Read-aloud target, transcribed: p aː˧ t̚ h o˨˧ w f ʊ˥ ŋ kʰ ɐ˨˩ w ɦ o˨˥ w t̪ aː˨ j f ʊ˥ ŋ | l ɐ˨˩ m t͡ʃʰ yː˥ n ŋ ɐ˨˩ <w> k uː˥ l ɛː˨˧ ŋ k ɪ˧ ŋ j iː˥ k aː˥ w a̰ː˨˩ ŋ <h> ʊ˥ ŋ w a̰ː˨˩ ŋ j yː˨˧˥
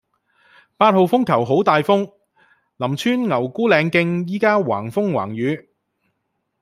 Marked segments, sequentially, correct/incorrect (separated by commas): correct, incorrect